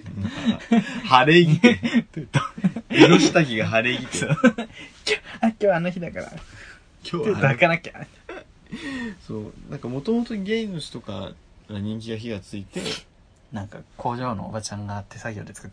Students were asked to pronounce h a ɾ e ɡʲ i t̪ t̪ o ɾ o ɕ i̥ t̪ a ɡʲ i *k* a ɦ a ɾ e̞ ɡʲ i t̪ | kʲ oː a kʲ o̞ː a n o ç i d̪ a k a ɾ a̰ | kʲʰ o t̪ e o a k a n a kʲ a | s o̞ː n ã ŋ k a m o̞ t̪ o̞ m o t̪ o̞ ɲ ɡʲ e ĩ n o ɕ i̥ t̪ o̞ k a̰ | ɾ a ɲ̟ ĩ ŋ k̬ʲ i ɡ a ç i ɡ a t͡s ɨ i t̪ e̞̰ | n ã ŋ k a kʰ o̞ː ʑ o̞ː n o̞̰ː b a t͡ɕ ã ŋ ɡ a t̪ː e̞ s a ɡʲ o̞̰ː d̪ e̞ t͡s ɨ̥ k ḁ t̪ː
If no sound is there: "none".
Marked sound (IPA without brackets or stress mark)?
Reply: ɡ